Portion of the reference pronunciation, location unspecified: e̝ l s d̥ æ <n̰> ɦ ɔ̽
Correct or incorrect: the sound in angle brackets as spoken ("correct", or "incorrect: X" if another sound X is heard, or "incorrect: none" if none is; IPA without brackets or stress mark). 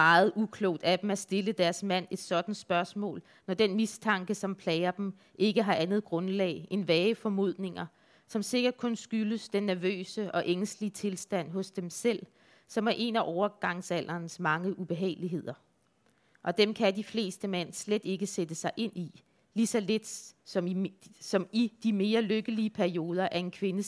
correct